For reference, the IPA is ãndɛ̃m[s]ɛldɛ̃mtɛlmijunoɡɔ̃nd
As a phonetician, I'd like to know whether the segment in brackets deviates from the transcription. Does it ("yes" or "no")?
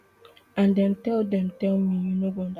yes